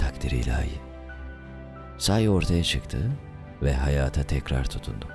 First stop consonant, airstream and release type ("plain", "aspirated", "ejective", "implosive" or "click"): aspirated